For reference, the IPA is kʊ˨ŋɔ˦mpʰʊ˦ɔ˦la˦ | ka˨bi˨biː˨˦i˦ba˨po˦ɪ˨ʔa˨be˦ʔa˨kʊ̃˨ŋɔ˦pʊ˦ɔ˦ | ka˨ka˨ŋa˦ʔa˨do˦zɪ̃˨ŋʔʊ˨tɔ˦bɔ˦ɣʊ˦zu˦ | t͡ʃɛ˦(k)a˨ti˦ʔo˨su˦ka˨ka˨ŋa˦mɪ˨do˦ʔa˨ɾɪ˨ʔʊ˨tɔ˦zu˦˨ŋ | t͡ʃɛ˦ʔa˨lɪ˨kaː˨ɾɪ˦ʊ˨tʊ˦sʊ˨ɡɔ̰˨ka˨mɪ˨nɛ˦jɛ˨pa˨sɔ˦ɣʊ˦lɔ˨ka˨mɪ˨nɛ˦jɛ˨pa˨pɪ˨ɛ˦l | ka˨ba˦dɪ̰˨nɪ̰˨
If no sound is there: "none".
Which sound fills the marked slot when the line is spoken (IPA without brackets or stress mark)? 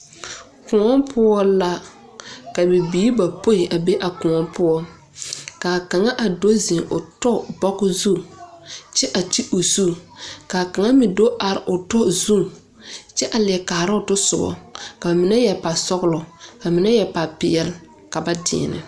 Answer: ʔ